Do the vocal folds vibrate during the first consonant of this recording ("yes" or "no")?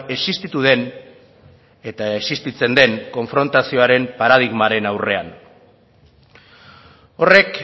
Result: no